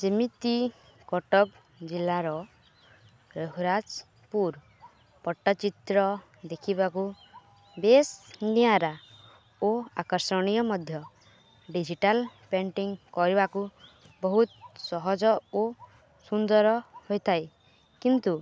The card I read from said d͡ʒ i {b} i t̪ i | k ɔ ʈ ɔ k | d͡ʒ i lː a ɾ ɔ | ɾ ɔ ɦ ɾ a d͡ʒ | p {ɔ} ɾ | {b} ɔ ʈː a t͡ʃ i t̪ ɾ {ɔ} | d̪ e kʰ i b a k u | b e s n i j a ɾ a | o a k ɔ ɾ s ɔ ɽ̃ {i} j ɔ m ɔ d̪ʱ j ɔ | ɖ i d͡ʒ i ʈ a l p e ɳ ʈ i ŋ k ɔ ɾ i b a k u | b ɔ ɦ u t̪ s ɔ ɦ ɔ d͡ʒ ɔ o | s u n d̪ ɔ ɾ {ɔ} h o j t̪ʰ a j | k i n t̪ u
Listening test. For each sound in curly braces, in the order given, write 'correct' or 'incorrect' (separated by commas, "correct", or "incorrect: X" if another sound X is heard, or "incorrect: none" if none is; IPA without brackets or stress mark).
incorrect: m, incorrect: u, incorrect: p, correct, correct, correct